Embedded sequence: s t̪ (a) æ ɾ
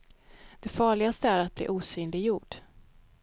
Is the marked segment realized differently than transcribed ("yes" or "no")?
yes